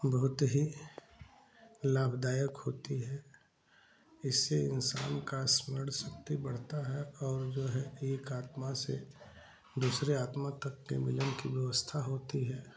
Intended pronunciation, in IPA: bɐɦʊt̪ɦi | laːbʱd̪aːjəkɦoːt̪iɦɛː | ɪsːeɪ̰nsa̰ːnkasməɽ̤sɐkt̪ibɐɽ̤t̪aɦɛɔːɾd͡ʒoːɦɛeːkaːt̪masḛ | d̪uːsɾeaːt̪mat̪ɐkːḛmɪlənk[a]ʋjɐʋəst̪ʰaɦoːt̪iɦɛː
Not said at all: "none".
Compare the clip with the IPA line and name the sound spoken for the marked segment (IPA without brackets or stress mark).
i